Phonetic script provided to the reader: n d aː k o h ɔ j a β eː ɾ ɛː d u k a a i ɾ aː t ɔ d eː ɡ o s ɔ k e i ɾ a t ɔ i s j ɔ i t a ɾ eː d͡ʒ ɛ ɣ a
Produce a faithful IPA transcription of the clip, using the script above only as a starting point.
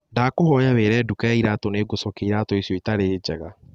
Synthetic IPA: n d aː k o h ɔ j a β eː ɾ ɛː d u k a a i ɾ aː t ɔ n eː ɡ o s ɔ k e i ɾ a t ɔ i s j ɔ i t a ɾ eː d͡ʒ ɛ ɣ a